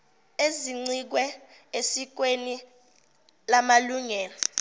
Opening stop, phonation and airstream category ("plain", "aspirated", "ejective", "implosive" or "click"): click